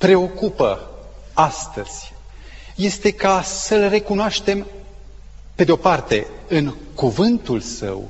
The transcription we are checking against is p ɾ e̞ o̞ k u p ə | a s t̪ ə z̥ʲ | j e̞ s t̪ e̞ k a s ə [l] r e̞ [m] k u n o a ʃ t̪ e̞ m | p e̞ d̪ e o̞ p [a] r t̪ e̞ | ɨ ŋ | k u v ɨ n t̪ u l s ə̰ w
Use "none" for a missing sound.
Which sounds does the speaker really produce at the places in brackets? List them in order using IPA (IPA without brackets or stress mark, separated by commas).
l, none, a